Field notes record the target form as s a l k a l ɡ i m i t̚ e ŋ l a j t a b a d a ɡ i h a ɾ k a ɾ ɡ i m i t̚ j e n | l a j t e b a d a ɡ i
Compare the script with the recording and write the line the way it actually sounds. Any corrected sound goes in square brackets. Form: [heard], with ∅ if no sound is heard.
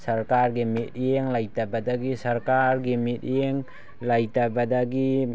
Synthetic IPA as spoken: s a [ɾ] k a [ɾ] ɡ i m i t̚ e ŋ l a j t a b a d a ɡ i [s] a ɾ k a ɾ ɡ i m i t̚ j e [ŋ] | l a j t [a] b a d a ɡ i